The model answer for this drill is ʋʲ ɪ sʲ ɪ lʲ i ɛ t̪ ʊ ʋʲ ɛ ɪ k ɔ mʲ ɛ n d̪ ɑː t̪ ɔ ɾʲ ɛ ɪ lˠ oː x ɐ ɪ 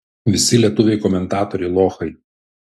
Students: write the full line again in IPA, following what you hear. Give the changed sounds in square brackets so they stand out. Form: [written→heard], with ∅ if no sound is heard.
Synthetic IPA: ʋʲ ɪ sʲ ɪ lʲ i ɛ t̪ ʊ ʋʲ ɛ ɪ k ɔ mʲ ɛ n [d̪→t̪] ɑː t̪ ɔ ɾʲ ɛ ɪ lˠ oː x ɐ ɪ